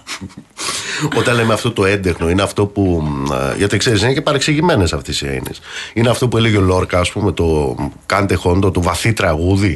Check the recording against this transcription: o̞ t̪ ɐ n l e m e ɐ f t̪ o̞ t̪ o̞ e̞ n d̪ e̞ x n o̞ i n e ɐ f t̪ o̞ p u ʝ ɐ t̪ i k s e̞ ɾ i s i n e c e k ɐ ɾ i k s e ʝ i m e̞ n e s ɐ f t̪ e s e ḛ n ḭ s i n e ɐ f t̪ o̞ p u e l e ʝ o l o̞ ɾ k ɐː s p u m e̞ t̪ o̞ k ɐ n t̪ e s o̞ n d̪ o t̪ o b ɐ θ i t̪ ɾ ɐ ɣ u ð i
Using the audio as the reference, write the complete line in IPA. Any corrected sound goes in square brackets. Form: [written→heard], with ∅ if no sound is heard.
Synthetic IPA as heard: o̞ t̪ ɐ n l e m e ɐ f t̪ o̞ t̪ o̞ e̞ n d̪ e̞ x n o̞ i n e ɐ f t̪ o̞ p u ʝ ɐ t̪ i k s e̞ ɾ i s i n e c e [k→p] ɐ ɾ [i→e] k s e ʝ i m e̞ n e s ɐ f t̪ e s [e→i] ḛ n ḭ s i n e ɐ f t̪ o̞ p u e l e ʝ o l o̞ ɾ k ɐː s p u m e̞ t̪ o̞ k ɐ n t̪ e [s→x] o̞ n d̪ o t̪ o [b→v] ɐ θ i t̪ ɾ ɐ ɣ u ð i